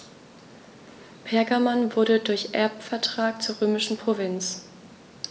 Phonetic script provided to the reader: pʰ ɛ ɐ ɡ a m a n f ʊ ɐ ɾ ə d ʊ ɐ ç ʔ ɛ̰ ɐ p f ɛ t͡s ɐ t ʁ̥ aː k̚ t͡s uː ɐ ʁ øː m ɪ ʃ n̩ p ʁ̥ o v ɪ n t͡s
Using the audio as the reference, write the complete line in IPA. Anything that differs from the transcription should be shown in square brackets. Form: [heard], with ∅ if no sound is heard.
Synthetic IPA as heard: pʰ ɛ ɐ ɡ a m a n [v] ʊ ɐ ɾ ə d ʊ ɐ ç ʔ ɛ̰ ɐ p f ɛ [∅] ɐ t ʁ̥ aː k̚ t͡s uː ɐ ʁ øː m ɪ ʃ n̩ p ʁ̥ o v ɪ n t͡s